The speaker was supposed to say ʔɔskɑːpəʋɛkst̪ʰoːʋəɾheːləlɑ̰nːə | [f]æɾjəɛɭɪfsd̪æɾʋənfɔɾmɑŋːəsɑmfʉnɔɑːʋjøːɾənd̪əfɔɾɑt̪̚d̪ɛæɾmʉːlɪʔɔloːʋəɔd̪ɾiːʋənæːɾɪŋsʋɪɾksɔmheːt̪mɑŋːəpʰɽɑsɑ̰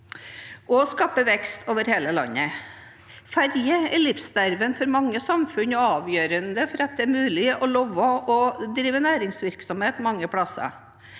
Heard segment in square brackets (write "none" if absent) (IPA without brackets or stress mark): f